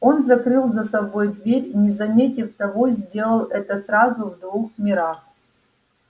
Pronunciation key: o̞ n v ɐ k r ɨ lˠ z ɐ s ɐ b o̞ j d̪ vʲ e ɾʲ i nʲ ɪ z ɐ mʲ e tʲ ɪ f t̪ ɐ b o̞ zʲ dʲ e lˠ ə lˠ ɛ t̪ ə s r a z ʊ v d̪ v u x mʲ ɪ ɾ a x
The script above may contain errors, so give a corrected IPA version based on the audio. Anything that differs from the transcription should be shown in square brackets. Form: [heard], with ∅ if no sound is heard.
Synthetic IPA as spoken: o̞ n [z] ɐ k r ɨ lˠ z ɐ s ɐ b o̞ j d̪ vʲ e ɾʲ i nʲ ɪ z ɐ mʲ e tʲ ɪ f t̪ ɐ [v] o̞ zʲ dʲ e lˠ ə lˠ ɛ t̪ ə s r a z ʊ v d̪ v u x mʲ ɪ ɾ a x

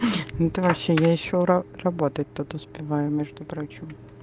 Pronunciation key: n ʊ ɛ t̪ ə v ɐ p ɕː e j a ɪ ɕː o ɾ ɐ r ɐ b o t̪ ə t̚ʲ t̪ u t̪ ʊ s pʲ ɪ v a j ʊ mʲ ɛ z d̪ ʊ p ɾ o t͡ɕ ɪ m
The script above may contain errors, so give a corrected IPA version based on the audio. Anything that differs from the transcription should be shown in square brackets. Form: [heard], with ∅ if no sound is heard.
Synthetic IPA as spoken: n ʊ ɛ t̪ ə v ɐ p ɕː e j a ɪ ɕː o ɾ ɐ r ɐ b o t̪ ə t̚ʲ t̪ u t̪ ʊ s pʲ ɪ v a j ʊ mʲ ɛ [ʐ] d̪ ʊ p ɾ o t͡ɕ ɪ m

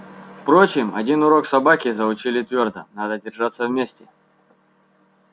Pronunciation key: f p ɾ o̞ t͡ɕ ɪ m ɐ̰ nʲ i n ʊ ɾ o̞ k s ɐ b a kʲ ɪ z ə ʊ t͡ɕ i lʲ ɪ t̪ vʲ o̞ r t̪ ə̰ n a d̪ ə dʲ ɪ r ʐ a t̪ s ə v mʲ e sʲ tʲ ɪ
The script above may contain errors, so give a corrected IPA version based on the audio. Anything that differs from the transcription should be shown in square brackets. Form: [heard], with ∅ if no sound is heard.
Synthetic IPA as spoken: f p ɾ o̞ t͡ɕ ɪ m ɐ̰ [dʲ] i n ʊ ɾ o̞ k s ɐ b a kʲ ɪ z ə ʊ t͡ɕ i lʲ ɪ t̪ vʲ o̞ r [d̪] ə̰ n a d̪ ə dʲ ɪ r ʐ a t̪ s ə v mʲ e sʲ tʲ ɪ

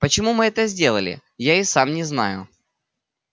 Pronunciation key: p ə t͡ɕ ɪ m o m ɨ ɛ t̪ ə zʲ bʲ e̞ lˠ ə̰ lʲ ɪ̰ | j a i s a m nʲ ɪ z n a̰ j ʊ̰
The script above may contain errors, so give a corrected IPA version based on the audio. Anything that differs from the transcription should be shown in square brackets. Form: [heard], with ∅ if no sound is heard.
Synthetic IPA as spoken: p ə t͡ɕ ɪ m [u] m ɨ ɛ t̪ ə zʲ [dʲ] e̞ lˠ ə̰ lʲ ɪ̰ | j a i s a m nʲ ɪ z n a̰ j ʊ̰

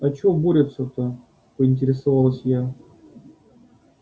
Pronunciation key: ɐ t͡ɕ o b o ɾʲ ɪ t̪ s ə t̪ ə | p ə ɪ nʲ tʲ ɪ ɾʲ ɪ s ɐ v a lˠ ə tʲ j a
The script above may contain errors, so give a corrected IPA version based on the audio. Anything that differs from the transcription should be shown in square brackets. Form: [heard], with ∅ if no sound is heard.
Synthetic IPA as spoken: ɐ t͡ɕ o b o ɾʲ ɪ t̪ s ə t̪ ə | p ə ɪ nʲ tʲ ɪ ɾʲ ɪ s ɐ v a lˠ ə [sʲ] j a

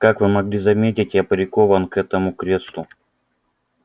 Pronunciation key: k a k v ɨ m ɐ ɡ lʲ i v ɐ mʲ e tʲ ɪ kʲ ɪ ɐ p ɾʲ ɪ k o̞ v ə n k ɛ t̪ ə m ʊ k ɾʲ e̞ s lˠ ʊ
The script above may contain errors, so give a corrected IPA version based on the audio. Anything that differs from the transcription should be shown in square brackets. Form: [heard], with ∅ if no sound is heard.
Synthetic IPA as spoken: k a k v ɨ m ɐ ɡ lʲ i [z] ɐ mʲ e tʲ ɪ [tʲ] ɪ ɐ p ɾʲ ɪ k o̞ v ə n k ɛ t̪ ə m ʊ k ɾʲ e̞ s lˠ ʊ

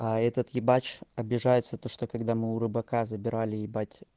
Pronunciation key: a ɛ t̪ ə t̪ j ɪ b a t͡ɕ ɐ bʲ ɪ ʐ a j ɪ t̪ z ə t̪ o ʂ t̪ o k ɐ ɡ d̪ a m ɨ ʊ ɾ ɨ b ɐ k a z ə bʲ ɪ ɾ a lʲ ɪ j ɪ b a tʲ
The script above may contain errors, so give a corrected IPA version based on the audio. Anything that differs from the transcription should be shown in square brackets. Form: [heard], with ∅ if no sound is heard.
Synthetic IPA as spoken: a ɛ t̪ ə t̪ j ɪ b a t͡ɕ ɐ bʲ ɪ ʐ a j ɪ t̪ [s] ə t̪ o ʂ t̪ o k ɐ ɡ d̪ a m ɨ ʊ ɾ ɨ b ɐ k a z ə bʲ ɪ ɾ a lʲ ɪ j ɪ b a tʲ

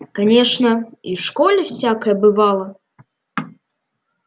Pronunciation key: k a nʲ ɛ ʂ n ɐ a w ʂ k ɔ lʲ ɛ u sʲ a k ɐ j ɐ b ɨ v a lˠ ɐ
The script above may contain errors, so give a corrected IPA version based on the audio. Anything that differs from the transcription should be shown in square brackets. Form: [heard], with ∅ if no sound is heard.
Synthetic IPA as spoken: k a nʲ ɛ ʂ n ɐ [i] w ʂ k ɔ lʲ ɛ [w] sʲ a k ɐ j ɐ b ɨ v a lˠ ɐ

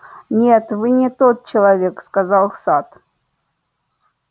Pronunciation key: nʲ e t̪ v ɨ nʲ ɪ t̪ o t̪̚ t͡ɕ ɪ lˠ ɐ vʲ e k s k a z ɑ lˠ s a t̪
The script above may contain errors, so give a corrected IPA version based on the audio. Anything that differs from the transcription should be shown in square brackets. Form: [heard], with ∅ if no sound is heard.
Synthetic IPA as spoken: nʲ e t̪ v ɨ nʲ ɪ t̪ o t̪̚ t͡ɕ ɪ lˠ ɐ vʲ e k s k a z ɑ lˠ s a t̪

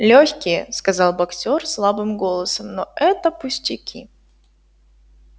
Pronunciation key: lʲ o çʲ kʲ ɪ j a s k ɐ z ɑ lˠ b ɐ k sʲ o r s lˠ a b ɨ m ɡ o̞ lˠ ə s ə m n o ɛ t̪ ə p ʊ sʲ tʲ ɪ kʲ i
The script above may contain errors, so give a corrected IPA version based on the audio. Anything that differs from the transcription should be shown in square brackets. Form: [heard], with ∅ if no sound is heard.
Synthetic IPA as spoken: lʲ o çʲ kʲ ɪ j [ə] s k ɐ z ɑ lˠ b ɐ k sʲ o r s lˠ a b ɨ m ɡ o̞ lˠ ə s ə m n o ɛ t̪ ə p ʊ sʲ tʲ ɪ kʲ i

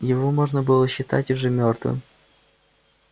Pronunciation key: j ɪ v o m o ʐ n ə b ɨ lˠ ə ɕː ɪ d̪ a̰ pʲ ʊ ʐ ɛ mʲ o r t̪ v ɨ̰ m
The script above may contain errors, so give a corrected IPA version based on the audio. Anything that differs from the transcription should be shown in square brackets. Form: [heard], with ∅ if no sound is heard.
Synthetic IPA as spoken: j ɪ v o m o ʐ n ə b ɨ lˠ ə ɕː ɪ [t̪] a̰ [tʲ] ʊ ʐ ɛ mʲ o r t̪ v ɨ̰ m

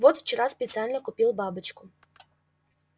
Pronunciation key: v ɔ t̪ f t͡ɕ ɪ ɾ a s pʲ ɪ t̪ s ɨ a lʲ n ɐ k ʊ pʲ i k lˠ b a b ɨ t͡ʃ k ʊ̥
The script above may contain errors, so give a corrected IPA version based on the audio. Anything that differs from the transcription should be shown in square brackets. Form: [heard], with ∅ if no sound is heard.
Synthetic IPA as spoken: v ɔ t̪ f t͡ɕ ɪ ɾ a s pʲ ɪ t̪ s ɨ a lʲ n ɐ k ʊ pʲ i [∅] lˠ b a b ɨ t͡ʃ k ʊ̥

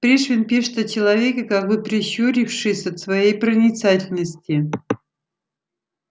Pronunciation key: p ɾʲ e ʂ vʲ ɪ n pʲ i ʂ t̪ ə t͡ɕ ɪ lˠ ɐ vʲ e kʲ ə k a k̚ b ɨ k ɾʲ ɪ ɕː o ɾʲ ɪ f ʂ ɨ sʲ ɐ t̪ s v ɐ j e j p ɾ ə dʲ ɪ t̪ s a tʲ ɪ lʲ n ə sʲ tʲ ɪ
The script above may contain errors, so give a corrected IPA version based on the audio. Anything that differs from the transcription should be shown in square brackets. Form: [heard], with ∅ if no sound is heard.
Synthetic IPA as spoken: p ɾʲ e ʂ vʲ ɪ n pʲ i ʂ t̪ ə t͡ɕ ɪ lˠ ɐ vʲ e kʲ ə k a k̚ b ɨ [p] ɾʲ ɪ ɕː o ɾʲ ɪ f ʂ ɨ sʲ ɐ t̪ s v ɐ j e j p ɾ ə [nʲ] ɪ t̪ s a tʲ ɪ lʲ n ə sʲ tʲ ɪ

